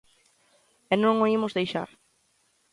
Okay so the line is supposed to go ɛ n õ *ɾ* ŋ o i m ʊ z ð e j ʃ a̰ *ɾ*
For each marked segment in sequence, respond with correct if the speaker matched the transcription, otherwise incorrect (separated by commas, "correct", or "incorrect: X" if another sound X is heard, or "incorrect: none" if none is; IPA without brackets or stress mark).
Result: incorrect: none, correct